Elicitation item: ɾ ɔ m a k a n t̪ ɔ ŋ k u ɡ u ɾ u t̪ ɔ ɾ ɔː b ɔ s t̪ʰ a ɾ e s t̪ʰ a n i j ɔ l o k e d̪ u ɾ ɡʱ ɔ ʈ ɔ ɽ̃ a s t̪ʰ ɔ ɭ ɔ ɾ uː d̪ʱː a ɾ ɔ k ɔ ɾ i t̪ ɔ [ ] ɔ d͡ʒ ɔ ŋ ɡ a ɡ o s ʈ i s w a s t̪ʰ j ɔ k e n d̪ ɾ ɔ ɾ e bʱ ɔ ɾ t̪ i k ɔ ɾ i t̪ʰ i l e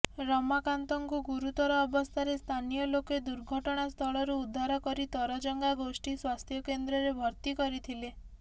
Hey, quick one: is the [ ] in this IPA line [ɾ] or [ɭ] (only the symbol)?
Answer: ɾ